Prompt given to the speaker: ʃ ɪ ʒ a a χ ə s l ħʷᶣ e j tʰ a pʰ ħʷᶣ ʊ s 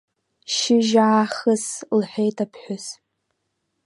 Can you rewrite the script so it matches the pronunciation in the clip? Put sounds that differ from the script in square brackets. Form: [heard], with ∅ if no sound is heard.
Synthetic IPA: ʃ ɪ ʒ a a χ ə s l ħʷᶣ e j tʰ a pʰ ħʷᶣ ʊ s